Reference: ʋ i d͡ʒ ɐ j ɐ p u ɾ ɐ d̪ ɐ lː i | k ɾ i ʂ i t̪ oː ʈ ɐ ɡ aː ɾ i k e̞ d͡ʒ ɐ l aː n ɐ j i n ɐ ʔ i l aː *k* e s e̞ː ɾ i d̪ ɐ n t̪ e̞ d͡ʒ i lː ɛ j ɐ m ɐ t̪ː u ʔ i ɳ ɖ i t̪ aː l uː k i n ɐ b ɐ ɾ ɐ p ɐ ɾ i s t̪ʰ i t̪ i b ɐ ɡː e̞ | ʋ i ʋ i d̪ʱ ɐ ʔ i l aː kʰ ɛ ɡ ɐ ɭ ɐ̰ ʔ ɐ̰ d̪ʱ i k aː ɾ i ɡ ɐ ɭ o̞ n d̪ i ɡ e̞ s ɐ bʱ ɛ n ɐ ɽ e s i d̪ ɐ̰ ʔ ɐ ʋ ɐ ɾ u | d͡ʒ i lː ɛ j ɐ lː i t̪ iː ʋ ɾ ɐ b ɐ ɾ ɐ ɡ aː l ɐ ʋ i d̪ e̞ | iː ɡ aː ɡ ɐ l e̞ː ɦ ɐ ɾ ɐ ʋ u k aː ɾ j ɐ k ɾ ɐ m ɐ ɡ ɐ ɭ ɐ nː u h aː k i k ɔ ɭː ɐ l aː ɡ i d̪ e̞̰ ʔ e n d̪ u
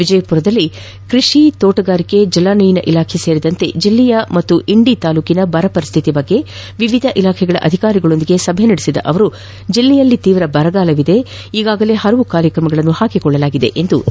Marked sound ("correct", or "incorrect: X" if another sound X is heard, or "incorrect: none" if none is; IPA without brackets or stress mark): incorrect: kʰ